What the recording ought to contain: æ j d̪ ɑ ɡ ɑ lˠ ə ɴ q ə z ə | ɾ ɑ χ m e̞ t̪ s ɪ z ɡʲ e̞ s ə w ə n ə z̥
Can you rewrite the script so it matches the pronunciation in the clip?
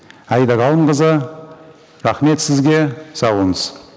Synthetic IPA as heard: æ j d̪ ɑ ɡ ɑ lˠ ə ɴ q ə z ə | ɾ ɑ χ m e̞ t̪ s ɪ z ɡʲ e̞ s ɑ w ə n ə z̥

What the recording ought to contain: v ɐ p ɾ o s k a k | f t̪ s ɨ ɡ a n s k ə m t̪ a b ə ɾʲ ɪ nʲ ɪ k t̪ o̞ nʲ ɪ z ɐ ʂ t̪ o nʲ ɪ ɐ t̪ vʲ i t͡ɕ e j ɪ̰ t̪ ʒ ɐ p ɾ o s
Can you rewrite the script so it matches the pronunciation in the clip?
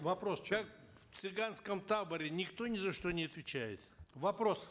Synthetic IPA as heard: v ɐ p ɾ o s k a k | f t̪ s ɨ ɡ a n s k ə m t̪ a b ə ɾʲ ɪ nʲ ɪ k t̪ o̞ nʲ ɪ z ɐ ʂ t̪ o nʲ ɪ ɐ t̪ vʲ ɪ t͡ɕ æ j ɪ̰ t̪ v ɐ p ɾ o s

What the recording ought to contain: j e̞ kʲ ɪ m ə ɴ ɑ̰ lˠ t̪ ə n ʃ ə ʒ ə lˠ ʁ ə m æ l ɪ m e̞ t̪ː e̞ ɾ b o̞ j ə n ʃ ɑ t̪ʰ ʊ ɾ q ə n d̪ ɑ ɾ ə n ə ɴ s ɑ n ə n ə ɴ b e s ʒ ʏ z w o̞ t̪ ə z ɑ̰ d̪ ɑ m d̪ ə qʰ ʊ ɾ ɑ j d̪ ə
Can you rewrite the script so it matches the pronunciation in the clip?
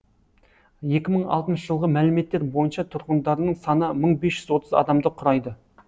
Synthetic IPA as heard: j e̞ kʲ ɪ m ə ɴ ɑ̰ lˠ t̪ ə n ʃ ə ʒ ə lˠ ʁ ə m æ l ɪ m e̞ t̪ː e̞ ɾ b o̞ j ə n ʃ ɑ t̪ʰ ʊ ɾ q ə n d̪ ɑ ɾ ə n ə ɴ s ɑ n ə m ə ɴ b e s ʒ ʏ z w o̞ t̪ ə z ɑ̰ d̪ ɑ m d̪ ə qʰ ʊ ɾ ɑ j d̪ ə

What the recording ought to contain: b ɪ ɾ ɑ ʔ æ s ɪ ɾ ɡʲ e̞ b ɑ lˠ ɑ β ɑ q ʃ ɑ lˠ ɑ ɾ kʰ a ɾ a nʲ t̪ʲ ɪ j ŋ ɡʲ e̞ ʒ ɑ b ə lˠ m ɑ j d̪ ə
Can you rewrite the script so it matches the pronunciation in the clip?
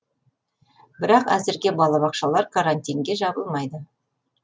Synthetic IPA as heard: b ɪ ɾ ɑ q æ z ɪ ɾ ɡʲ e̞ b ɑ lˠ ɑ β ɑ q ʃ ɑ lˠ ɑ ɾ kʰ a ɾ a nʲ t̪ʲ i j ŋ ɡʲ e̞ ʒ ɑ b ə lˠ m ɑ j d̪ ə

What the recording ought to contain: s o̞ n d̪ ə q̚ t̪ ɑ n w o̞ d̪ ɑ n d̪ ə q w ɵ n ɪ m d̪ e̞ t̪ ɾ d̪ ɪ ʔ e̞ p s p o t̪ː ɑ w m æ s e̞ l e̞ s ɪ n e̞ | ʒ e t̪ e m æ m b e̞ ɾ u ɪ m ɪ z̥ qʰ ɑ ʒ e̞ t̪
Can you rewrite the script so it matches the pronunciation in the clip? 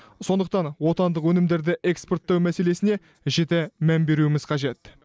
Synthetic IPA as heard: s o̞ n d̪ ə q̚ t̪ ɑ n w o̞ t̪ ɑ n d̪ ə q w ɵ n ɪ m d̪ e̞ ɾ d̪ ɪ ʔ e̞ k s p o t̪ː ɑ w m æ s e̞ l e̞ s ɪ n e̞ | ʒ e t̪ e m æ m b e̞ ɾ u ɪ m ɪ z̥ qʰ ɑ ʒ e̞ t̪

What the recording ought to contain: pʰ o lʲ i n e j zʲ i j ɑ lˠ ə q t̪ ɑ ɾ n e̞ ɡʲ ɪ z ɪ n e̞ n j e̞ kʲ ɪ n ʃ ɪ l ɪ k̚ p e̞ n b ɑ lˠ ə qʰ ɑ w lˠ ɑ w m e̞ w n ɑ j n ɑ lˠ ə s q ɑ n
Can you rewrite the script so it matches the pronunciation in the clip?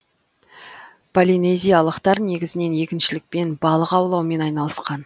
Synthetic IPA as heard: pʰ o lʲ i n e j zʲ i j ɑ lˠ ə q t̪ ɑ ɾ n e̞ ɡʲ ɪ z ɪ n e̞ n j e̞ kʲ ɪ n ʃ ɪ l ɪ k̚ p e̞ n b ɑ lˠ ə q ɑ w lˠ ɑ w m e̞ n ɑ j n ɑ lˠ ə s q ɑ n

